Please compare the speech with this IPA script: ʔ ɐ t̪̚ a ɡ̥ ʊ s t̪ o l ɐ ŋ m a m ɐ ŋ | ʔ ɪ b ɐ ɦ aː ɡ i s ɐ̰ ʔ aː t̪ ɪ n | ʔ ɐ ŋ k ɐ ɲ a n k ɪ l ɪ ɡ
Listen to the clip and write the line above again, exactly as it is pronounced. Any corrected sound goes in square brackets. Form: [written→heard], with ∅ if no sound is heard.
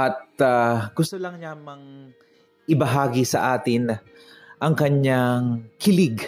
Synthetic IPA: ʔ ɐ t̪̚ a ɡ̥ ʊ s t̪ o l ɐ ŋ [m→ɲ] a m ɐ ŋ | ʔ ɪ b ɐ ɦ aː ɡ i s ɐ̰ ʔ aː t̪ ɪ n | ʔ ɐ ŋ k ɐ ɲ a [n→ŋ] k ɪ l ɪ ɡ